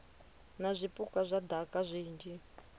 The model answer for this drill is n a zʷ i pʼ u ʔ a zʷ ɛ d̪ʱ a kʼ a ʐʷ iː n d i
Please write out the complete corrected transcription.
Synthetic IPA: n a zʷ i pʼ u k a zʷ a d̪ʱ a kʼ a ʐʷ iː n d͡ʒ i